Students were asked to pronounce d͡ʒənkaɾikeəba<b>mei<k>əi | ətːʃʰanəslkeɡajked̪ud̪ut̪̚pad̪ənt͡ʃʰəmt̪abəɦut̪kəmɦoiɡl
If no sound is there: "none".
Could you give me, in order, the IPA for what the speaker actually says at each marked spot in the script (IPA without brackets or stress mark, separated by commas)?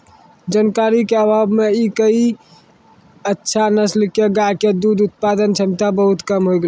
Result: b, k